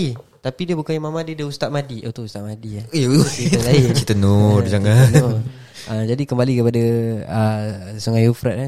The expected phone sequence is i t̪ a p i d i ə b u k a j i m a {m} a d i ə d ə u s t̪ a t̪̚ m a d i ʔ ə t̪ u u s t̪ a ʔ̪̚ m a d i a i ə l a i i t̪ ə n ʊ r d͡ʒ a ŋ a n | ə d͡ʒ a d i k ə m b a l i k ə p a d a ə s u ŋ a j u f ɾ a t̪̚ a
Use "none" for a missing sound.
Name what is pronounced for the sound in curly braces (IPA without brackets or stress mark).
m